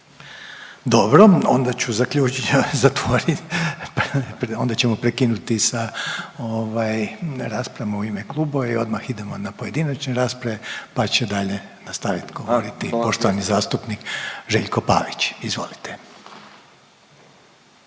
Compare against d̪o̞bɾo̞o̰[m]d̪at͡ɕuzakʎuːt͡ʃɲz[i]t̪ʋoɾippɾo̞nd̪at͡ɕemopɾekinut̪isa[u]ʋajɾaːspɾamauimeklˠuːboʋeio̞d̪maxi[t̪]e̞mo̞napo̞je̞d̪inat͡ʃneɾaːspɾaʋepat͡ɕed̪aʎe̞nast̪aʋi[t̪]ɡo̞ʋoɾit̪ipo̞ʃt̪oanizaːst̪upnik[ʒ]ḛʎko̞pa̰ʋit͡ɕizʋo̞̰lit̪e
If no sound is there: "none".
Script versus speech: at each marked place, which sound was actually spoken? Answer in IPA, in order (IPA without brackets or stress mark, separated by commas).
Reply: n, a, o, d̪, t̪, ʒ